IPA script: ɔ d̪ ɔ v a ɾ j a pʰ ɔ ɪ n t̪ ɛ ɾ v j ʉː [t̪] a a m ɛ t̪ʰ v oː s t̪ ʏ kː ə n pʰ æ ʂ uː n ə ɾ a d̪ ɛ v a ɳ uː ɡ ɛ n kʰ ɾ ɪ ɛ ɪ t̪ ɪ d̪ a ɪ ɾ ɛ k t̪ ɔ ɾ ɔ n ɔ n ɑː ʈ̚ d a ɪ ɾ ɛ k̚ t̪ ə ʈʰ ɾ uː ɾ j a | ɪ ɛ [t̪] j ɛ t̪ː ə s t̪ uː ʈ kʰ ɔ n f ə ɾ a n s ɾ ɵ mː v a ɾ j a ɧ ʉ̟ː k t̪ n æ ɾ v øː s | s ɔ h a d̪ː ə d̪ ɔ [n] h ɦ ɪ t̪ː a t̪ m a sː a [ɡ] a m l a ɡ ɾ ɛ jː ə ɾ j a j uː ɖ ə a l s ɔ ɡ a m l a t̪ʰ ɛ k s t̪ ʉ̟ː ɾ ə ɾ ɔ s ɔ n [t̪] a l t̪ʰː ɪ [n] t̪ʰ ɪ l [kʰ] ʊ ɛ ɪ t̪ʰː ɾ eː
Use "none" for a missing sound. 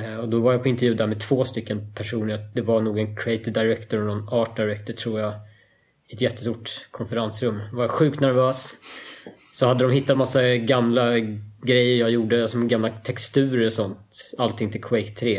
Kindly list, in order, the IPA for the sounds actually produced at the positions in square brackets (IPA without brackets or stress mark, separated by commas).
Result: d̪, t̪, m, ɡ, t̪, ŋ, kʰ